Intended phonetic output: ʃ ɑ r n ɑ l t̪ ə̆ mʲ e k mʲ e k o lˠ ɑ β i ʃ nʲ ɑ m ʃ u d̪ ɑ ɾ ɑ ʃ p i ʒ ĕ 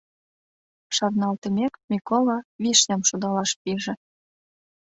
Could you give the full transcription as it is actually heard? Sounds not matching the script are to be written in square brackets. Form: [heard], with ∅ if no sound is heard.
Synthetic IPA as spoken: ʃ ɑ r n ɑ l t̪ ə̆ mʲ e k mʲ [i] k o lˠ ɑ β i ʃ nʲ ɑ m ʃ u d̪ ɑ [l] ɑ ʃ p i ʒ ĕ